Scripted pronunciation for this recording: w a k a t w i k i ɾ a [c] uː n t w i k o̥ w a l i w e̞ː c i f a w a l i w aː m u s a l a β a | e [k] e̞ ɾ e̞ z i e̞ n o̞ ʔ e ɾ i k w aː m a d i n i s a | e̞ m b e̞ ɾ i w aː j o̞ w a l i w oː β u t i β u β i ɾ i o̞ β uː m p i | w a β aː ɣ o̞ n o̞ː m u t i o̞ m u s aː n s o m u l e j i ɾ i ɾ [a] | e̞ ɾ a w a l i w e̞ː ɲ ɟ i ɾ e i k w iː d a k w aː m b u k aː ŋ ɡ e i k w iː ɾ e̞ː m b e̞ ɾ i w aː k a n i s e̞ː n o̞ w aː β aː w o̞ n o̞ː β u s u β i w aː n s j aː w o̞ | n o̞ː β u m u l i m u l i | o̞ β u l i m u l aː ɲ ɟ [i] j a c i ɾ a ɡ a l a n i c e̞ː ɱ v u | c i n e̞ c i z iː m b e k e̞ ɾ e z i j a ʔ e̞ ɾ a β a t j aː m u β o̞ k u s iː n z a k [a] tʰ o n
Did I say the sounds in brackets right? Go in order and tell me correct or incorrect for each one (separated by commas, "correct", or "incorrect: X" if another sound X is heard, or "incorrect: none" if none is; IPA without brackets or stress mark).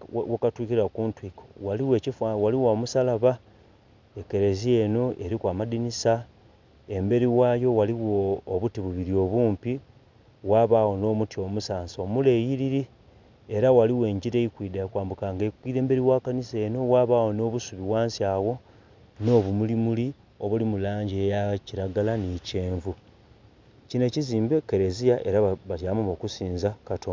incorrect: k, correct, incorrect: i, incorrect: e, correct